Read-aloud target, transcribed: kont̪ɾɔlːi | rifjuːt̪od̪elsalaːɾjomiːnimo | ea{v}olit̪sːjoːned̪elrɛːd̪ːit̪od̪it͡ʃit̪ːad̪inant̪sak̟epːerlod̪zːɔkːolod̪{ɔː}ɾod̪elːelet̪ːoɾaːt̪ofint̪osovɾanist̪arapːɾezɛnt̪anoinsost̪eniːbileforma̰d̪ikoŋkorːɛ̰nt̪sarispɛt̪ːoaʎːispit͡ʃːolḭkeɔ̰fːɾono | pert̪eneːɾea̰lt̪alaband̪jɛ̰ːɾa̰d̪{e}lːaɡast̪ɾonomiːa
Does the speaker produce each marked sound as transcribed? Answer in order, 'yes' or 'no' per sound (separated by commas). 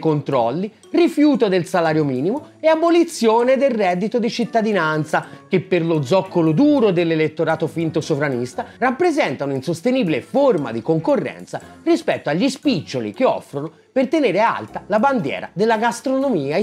no, no, yes